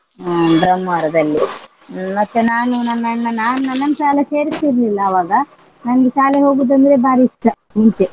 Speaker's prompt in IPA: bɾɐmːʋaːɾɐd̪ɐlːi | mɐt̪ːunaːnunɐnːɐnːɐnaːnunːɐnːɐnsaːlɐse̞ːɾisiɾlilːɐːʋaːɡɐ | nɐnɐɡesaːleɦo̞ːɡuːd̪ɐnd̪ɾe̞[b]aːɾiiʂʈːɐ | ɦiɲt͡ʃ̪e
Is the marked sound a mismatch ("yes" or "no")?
no